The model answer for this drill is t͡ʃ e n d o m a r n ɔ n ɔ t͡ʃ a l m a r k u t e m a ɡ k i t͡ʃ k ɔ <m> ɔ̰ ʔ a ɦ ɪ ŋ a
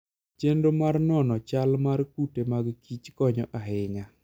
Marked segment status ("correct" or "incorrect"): incorrect